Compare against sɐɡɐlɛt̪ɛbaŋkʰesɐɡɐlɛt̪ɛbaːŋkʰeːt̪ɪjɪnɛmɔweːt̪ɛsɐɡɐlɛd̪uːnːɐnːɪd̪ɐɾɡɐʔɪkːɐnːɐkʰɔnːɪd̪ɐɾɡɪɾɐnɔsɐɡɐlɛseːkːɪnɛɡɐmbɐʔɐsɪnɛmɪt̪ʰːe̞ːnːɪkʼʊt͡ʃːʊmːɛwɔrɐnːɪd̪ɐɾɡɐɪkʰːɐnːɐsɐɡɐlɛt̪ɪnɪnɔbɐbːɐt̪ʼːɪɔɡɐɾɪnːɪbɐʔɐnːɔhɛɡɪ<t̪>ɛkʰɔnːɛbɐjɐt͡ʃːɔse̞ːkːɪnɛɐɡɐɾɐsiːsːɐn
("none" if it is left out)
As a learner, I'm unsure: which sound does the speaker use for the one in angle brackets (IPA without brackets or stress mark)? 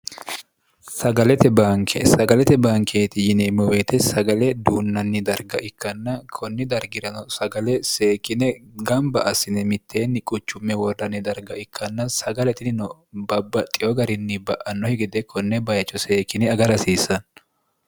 d̪